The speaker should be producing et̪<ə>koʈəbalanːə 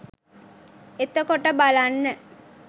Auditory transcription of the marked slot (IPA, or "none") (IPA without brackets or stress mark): ə